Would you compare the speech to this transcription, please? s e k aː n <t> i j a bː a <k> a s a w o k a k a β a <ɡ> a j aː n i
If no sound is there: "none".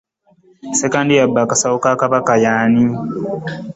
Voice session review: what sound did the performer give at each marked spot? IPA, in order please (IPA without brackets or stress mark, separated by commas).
d, k, k